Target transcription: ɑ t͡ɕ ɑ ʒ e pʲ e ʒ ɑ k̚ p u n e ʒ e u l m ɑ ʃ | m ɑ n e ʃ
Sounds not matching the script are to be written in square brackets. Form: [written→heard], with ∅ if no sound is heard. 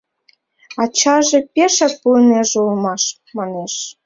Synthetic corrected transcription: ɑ t͡ɕ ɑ ʒ e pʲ e [ʒ→ʃ] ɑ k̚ p u n e ʒ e u l m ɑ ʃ | m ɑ n e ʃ